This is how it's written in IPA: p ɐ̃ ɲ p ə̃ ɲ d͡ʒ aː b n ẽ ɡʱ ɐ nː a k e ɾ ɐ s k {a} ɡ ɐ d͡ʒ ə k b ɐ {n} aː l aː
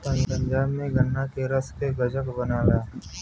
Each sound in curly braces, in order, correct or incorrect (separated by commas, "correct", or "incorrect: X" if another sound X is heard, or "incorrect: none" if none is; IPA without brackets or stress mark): incorrect: e, correct